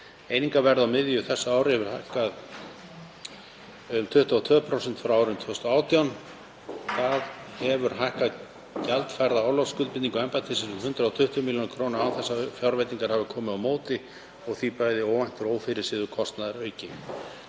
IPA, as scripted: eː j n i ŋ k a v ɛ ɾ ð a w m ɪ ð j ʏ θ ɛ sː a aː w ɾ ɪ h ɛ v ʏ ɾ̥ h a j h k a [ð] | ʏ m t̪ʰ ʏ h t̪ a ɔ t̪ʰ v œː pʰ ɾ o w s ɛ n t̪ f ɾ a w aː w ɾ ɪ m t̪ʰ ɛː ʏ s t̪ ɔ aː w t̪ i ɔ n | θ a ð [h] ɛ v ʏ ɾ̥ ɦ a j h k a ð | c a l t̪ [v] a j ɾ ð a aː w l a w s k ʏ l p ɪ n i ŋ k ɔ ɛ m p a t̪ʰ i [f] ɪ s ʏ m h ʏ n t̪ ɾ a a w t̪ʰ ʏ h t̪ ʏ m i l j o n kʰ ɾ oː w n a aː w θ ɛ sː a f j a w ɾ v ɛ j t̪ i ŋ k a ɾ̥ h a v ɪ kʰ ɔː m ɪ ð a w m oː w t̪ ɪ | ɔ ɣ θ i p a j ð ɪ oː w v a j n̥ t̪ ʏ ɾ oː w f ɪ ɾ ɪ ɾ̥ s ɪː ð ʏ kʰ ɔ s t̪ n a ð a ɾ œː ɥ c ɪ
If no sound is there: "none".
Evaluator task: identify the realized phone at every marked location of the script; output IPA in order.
ð, h, f, s

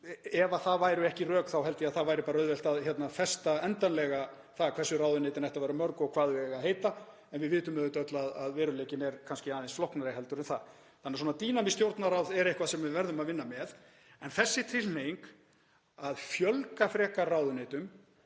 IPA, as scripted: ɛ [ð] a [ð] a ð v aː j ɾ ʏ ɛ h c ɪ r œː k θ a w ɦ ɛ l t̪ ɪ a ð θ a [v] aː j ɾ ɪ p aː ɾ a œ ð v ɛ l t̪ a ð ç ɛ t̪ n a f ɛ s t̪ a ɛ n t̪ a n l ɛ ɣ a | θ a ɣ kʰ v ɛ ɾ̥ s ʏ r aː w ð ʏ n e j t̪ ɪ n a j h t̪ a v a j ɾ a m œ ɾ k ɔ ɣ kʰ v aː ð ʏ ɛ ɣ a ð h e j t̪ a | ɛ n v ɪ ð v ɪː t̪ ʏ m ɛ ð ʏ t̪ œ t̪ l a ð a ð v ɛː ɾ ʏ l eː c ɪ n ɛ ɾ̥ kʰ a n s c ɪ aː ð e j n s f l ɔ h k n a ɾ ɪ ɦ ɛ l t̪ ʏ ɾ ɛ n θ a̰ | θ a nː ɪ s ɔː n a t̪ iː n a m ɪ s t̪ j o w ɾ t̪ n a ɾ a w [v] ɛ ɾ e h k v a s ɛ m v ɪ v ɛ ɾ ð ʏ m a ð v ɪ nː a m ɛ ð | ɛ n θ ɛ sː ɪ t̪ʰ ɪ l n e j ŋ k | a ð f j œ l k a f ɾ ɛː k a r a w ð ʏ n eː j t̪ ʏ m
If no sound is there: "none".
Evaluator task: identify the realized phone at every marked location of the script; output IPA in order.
v, θ, v, ð

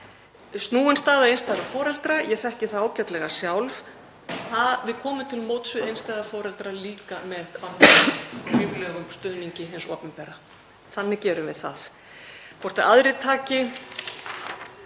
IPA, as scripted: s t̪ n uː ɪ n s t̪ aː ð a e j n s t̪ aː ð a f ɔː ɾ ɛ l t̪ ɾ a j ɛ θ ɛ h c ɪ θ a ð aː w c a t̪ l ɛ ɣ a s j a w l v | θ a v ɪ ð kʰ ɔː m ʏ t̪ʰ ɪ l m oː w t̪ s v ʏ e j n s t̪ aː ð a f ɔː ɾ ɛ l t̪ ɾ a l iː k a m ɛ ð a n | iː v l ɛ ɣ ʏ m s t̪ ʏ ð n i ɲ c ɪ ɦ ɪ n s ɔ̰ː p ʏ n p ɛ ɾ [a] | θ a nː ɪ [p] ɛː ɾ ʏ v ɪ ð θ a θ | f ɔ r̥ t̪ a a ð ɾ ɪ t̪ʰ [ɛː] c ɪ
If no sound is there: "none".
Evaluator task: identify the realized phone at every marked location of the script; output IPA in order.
a, c, aː

